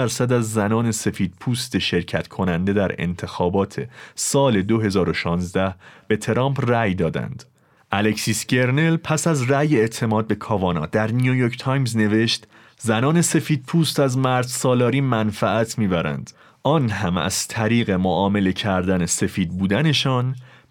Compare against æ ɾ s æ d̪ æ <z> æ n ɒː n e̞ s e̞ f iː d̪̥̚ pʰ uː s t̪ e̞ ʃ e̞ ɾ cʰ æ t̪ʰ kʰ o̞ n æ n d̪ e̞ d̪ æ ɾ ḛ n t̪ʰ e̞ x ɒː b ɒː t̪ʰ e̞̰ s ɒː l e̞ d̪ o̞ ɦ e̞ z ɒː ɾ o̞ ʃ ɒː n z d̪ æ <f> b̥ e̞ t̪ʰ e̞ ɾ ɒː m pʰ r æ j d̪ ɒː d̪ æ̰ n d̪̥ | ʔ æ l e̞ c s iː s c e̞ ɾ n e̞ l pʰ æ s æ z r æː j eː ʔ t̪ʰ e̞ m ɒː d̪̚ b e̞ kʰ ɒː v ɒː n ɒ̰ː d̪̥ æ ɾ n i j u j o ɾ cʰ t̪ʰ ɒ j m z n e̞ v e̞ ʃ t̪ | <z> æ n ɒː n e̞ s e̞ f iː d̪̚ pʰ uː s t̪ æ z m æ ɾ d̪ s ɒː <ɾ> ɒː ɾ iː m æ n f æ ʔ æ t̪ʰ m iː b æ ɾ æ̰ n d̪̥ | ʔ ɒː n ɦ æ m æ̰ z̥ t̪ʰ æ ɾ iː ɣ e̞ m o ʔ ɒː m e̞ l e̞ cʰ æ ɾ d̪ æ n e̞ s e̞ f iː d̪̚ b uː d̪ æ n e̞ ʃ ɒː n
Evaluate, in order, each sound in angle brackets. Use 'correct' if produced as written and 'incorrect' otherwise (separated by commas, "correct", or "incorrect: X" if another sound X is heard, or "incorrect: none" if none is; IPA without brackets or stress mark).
incorrect: zː, incorrect: h, correct, incorrect: l